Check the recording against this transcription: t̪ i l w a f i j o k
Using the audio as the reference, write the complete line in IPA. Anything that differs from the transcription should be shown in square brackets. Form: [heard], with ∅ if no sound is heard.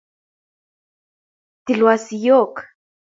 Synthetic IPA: t̪ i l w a [s] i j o k